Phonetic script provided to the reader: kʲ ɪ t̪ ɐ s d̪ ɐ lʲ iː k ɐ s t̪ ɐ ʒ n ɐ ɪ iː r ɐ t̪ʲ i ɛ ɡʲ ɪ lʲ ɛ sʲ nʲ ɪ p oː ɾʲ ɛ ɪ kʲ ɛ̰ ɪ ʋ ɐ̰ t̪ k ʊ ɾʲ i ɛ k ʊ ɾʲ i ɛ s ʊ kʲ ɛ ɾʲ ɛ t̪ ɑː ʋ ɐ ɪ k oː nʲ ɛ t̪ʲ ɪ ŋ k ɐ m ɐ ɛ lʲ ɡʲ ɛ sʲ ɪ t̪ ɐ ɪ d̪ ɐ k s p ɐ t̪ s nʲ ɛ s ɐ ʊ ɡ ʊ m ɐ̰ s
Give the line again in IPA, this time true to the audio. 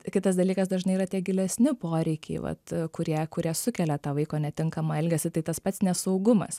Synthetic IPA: kʲ ɪ t̪ ɐ s d̪ ɐ lʲ iː k ɐ s d̪ ɐ ʒ n ɐ ɪ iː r ɐ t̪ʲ i ɛ ɡʲ ɪ lʲ ɛ sʲ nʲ ɪ p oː ɾʲ ɛ ɪ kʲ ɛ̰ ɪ ʋ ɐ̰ t̪ k ʊ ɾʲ i ɛ k ʊ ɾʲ i ɛ s ʊ kʲ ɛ lʲ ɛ t̪ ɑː ʋ ɐ ɪ k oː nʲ ɛ t̪ʲ ɪ ŋ k ɐ m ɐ ɛ lʲ ɡʲ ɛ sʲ ɪ t̪ ɐ ɪ t̪ ɐ s p ɐ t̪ s nʲ ɛ s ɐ ʊ ɡ ʊ m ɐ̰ s